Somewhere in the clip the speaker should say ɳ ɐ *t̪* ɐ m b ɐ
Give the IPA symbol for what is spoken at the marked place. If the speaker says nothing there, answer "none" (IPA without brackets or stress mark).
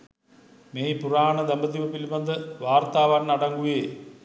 d̪